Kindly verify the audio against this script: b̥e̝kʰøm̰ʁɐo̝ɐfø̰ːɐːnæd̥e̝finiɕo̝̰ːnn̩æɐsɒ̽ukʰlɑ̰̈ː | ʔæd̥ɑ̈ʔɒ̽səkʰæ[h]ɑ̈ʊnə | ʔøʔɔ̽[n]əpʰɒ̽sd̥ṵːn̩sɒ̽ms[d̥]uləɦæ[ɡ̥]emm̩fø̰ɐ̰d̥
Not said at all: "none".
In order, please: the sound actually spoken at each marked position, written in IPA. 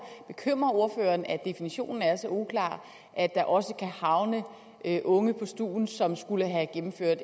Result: h, ŋ, ɡ̥, ɡ̥

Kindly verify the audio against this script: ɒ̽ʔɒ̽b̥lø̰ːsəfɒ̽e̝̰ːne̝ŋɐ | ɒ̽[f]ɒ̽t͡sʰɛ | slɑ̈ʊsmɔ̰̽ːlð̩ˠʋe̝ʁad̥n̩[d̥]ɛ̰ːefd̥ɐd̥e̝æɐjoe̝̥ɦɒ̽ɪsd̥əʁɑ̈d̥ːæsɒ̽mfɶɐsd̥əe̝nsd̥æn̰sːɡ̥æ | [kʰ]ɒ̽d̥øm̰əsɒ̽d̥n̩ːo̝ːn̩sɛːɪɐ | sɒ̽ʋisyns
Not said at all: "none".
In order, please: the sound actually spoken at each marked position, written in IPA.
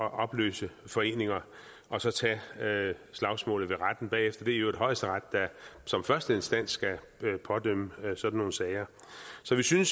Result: s, b̥, pʰ

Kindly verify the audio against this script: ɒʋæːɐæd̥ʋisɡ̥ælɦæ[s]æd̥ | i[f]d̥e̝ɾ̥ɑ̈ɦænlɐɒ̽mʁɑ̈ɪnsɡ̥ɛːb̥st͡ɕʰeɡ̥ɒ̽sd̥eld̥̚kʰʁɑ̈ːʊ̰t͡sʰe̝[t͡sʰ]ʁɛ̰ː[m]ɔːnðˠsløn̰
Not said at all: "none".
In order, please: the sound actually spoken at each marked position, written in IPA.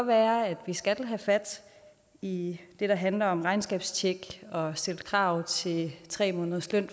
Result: f, none, t͡sʰ, m

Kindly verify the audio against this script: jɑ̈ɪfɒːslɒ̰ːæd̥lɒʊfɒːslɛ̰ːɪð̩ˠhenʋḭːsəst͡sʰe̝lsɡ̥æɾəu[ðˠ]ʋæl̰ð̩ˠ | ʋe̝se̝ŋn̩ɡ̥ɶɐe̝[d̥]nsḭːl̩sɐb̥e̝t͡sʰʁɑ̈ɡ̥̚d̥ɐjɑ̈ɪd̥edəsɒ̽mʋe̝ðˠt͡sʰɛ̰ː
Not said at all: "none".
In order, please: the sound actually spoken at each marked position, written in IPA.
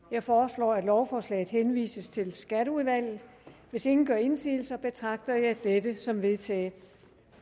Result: ðˠ, none

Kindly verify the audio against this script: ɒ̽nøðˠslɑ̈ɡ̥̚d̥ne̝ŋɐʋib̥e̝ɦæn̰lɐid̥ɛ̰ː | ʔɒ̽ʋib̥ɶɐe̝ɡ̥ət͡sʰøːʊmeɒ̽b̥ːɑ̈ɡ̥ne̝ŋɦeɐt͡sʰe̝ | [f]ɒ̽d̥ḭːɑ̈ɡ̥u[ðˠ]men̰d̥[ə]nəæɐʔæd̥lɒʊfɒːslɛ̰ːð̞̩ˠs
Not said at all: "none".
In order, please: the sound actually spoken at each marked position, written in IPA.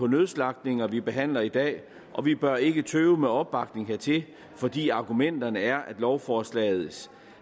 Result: f, none, ɐ

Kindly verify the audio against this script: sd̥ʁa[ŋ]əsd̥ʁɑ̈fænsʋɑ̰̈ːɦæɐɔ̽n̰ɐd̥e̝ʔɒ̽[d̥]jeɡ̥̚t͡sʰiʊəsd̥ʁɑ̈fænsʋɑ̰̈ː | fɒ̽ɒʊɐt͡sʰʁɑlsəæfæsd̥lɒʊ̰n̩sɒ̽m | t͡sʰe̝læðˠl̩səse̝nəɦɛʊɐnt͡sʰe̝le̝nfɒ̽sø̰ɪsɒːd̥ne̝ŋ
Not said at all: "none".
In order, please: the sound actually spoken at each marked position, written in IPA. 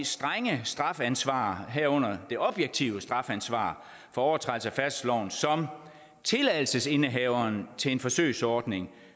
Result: ŋ, b̥

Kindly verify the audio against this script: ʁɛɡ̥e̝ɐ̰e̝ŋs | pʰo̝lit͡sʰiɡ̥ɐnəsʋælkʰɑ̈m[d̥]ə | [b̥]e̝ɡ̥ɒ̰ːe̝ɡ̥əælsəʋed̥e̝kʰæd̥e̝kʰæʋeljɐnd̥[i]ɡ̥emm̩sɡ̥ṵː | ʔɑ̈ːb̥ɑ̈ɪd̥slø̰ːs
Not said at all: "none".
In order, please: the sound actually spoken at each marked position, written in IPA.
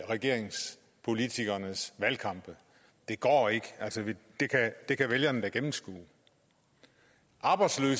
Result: b̥, d̥, æ

